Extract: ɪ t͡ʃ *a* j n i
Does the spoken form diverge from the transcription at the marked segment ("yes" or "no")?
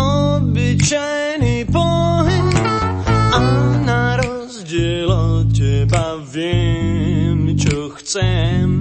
no